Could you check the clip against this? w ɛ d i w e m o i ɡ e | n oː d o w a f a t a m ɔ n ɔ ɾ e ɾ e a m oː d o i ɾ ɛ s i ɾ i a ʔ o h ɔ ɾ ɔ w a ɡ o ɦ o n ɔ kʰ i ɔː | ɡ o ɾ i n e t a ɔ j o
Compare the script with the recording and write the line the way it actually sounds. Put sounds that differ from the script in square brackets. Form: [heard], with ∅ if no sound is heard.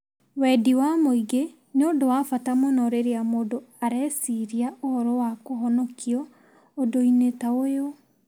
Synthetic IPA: w ɛ d i w [a] m o i ɡ e | n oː d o w a f a t a m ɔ n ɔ ɾ e ɾ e a m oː d o [a] ɾ ɛ s i ɾ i a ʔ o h ɔ ɾ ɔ w a [k] o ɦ [ɔ] n ɔ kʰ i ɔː | [d] o [∅] i n e t a [o] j o